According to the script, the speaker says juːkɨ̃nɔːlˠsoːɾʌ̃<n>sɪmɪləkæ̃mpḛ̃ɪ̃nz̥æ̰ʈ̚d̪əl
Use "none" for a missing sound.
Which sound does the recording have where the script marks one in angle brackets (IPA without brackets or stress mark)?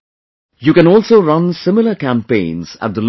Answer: n